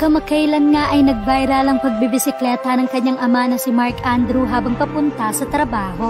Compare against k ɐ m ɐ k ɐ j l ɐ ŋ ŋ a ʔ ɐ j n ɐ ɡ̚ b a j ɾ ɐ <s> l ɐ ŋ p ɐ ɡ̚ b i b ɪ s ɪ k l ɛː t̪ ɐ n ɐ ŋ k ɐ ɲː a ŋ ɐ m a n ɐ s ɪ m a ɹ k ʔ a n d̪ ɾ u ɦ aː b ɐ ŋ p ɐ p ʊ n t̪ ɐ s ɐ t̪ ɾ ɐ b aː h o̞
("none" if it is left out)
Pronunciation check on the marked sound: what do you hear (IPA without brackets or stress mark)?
none